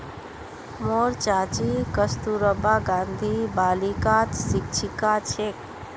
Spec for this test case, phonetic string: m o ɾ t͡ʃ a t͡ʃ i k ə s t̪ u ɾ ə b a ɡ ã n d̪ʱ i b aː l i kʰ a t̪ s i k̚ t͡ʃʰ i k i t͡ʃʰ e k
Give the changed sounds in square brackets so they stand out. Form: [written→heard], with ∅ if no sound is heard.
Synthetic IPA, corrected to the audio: m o ɾ t͡ʃ a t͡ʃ i k ə s t̪ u ɾ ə b a ɡ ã n d̪ʱ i b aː l i [kʰ→k] a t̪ s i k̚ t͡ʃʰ i k [i→a] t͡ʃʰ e k